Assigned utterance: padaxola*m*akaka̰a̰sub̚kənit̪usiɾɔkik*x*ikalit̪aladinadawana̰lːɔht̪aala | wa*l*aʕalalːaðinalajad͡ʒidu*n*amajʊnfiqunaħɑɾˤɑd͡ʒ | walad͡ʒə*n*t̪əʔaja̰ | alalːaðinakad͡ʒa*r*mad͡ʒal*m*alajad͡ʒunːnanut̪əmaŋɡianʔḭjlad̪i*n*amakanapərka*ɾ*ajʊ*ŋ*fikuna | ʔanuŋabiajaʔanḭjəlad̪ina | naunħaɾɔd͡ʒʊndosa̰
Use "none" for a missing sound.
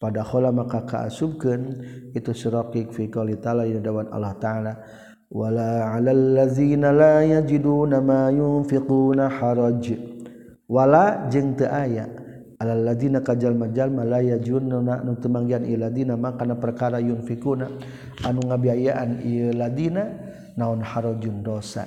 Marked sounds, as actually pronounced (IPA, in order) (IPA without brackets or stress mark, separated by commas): m, f, l, n, ŋ, l, m, n, ɾ, n